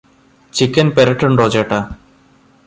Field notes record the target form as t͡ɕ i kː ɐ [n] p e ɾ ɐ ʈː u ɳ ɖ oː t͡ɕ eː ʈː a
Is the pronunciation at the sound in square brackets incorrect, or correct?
correct